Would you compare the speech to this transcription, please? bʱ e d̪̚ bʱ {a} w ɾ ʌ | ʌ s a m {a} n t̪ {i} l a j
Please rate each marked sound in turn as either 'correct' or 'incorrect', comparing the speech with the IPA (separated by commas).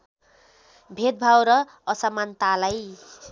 correct, correct, incorrect